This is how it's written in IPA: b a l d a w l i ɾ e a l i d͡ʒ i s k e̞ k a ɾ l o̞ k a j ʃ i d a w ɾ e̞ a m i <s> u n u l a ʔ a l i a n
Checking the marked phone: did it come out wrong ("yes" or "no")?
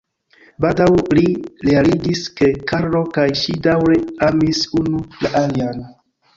no